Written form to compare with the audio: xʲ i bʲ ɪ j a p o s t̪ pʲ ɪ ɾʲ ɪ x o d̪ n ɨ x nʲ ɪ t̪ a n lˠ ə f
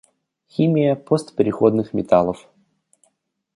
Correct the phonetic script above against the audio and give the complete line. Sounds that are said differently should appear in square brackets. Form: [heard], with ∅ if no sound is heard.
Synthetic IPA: xʲ i [mʲ] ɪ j [ə] p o s t̪ pʲ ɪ ɾʲ ɪ x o d̪ n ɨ x [mʲ] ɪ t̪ a [∅] lˠ ə f

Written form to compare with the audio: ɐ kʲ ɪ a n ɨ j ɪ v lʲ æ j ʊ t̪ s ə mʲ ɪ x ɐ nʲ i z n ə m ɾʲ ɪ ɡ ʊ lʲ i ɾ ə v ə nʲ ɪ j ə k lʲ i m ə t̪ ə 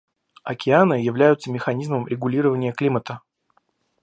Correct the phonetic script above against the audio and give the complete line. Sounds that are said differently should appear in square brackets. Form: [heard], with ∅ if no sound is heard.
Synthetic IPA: ɐ kʲ ɪ a n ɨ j ɪ v lʲ æ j ʊ t̪ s ə mʲ ɪ x ɐ nʲ i z [m] ə m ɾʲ ɪ ɡ ʊ lʲ i ɾ ə v ə nʲ ɪ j ə k lʲ i m ə t̪ ə

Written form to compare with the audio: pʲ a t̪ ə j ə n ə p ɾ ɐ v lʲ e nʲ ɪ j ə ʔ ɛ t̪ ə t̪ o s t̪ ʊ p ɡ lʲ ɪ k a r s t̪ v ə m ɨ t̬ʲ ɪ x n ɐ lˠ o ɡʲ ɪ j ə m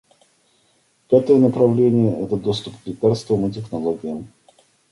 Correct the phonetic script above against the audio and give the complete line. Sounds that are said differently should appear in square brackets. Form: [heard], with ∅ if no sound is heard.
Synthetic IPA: pʲ a t̪ ə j ə n ə p ɾ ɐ v lʲ e nʲ ɪ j ə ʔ ɛ t̪ ə [d̪] o s t̪ ʊ p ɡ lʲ ɪ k a r s t̪ v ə m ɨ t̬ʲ ɪ x n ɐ lˠ o ɡʲ ɪ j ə m

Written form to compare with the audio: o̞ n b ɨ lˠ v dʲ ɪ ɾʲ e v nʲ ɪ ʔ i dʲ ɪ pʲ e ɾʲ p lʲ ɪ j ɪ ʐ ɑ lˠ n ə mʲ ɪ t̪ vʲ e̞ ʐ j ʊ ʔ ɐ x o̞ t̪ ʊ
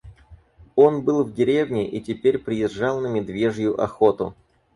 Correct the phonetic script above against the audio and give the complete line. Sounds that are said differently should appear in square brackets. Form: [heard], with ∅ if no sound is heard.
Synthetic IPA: o̞ n b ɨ lˠ v dʲ ɪ ɾʲ e v nʲ ɪ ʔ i [tʲ] ɪ pʲ e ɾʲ p [ɾʲ] ɪ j ɪ ʐ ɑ lˠ n ə mʲ ɪ [d̪] vʲ e̞ ʐ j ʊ ʔ ɐ x o̞ t̪ ʊ

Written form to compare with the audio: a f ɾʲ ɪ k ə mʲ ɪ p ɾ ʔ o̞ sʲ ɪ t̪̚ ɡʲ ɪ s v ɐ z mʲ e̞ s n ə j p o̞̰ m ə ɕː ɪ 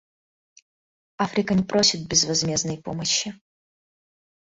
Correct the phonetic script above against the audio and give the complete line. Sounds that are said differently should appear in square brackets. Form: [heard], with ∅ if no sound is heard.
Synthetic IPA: a f ɾʲ ɪ k ə [nʲ] ɪ p ɾ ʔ o̞ sʲ ɪ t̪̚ [bʲ] ɪ [z] v ɐ z mʲ e̞ [z] n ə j p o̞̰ m ə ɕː ɪ

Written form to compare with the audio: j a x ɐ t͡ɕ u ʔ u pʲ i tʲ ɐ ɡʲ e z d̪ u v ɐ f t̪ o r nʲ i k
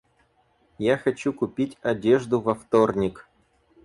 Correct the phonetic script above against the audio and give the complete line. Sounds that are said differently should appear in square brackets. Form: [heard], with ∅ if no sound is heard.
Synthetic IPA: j a x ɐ t͡ɕ u [k] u pʲ i tʲ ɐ [dʲ] e [ʐ] d̪ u v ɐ f t̪ o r nʲ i k

